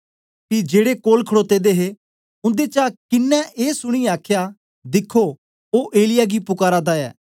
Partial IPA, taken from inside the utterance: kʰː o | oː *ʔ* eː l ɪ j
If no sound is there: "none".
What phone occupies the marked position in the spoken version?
ʔ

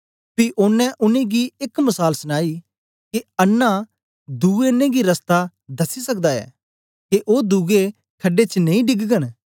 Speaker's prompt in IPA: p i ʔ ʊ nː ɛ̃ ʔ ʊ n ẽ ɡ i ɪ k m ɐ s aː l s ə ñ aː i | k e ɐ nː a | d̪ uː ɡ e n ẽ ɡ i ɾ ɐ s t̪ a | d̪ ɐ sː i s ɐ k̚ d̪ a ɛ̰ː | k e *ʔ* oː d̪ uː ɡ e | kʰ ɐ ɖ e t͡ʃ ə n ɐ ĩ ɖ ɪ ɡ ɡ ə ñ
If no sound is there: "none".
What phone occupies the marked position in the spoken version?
ʔ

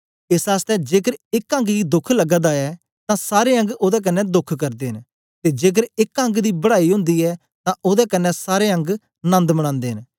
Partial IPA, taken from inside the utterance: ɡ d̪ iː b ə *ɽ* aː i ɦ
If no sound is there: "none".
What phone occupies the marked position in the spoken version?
ɽ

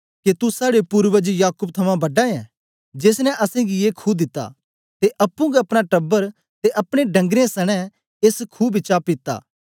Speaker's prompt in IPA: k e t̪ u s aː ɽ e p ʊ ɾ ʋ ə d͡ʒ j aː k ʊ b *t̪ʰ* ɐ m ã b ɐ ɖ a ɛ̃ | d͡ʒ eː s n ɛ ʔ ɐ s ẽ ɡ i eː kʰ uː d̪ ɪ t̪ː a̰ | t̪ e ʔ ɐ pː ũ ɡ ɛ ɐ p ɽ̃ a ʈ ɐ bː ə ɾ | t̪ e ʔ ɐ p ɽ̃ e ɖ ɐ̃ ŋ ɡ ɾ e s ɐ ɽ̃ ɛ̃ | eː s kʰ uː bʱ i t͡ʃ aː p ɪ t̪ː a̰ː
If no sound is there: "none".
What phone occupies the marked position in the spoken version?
t̪ʰ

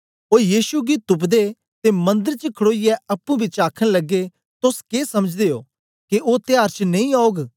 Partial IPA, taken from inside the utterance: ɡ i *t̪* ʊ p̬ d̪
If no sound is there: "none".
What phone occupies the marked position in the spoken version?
t̪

